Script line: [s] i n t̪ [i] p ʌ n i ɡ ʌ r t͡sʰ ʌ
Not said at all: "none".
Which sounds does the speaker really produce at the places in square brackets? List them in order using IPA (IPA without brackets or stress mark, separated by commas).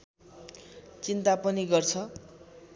t͡s, a